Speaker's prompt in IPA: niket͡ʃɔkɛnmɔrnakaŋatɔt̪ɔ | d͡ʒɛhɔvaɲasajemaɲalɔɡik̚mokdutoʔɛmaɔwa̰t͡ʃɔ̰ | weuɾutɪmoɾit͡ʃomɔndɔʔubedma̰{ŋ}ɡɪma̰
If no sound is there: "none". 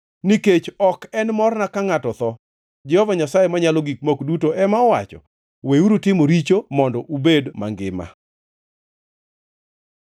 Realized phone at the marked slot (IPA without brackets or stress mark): ŋ